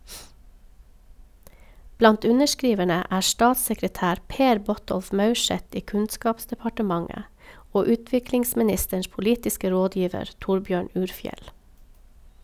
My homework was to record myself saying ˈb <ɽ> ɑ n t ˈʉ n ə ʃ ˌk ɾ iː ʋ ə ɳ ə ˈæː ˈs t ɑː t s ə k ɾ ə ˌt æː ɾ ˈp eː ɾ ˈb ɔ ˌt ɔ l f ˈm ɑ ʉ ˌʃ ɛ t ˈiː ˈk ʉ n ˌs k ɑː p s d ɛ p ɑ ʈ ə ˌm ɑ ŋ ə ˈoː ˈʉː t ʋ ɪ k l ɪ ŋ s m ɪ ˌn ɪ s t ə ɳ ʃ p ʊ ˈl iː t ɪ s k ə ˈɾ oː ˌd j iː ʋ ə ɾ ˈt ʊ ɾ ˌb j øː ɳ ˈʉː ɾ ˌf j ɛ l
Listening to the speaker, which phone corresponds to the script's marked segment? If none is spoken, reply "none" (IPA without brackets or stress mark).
l